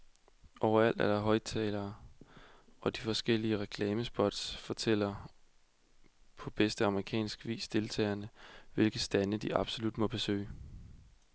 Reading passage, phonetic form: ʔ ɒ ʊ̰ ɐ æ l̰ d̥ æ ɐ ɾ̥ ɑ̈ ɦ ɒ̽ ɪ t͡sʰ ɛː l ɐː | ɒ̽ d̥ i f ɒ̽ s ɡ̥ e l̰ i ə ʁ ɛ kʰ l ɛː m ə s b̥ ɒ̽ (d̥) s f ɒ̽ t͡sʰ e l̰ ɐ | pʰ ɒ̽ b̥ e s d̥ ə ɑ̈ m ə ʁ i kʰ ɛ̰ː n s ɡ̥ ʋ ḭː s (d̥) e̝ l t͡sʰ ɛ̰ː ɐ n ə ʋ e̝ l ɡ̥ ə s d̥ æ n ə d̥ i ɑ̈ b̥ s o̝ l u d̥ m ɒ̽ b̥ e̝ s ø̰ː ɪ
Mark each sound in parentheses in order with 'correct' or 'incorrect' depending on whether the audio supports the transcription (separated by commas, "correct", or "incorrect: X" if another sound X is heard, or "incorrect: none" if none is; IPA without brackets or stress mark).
correct, correct